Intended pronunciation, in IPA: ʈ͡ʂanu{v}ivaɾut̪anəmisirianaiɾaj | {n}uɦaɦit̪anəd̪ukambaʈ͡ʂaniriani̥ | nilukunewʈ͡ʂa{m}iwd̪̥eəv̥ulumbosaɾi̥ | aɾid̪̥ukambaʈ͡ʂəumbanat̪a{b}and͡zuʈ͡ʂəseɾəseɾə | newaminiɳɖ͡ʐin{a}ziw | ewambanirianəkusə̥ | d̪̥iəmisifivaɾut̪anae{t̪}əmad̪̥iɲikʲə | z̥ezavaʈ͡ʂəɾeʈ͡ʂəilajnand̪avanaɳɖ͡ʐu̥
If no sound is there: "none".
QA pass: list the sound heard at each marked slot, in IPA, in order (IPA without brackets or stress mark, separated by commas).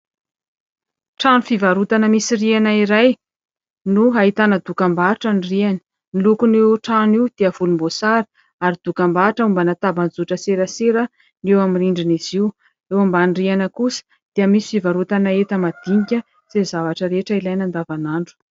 f, n, n, b, i, t̪